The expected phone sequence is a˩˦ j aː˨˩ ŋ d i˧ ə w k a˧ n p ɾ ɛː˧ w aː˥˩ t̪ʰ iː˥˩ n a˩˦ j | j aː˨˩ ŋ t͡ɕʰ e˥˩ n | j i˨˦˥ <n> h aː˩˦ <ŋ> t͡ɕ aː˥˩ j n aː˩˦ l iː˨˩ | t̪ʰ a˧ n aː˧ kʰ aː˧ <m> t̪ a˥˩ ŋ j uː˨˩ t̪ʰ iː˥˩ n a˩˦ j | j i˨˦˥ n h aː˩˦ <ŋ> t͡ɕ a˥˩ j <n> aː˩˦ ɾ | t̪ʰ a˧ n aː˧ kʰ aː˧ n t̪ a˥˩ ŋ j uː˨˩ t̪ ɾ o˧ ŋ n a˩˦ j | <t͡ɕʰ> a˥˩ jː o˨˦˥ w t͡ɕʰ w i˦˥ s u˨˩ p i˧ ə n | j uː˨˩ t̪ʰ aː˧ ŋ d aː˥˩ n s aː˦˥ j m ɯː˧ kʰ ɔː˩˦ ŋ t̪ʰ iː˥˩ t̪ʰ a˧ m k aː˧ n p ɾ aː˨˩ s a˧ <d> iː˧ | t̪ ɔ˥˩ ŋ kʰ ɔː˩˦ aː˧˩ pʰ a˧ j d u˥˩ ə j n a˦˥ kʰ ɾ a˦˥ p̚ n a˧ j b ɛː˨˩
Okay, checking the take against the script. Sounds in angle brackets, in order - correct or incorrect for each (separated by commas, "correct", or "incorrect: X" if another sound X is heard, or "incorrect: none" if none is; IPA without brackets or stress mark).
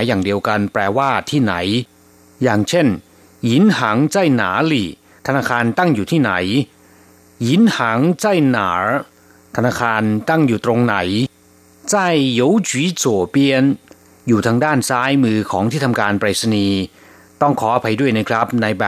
correct, correct, incorrect: n, correct, correct, incorrect: t͡ɕ, incorrect: n